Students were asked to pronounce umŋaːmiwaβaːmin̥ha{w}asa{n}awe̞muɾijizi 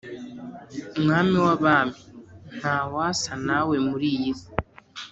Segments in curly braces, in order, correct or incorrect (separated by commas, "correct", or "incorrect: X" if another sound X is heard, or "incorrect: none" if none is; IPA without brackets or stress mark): correct, correct